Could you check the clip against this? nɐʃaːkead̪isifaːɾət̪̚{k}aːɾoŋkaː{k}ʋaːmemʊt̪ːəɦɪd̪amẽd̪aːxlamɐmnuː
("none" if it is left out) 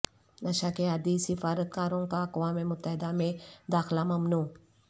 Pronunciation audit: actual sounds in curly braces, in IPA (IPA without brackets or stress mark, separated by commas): k, k